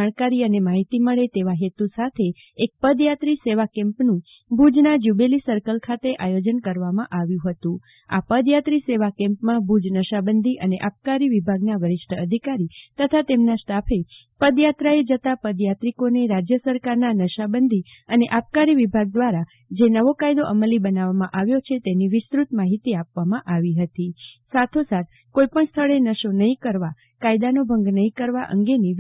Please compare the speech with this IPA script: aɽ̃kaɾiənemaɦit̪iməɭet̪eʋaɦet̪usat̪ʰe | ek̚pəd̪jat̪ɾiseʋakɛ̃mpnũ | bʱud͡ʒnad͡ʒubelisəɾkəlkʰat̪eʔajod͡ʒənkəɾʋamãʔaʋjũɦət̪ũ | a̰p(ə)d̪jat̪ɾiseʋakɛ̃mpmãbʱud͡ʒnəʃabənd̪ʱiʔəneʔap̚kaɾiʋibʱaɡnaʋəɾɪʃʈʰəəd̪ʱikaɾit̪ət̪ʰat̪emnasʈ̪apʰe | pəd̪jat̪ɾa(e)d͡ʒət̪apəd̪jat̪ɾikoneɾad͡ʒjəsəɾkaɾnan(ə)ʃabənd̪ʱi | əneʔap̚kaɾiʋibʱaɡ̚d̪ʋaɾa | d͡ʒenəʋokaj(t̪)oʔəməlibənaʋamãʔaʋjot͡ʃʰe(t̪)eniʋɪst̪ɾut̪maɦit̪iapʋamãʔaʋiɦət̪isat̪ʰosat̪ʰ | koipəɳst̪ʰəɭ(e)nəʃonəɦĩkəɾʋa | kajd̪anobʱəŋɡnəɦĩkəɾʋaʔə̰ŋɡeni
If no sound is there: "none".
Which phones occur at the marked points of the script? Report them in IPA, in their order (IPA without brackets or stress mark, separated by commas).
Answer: ə, e, ə, d̪, t̪, e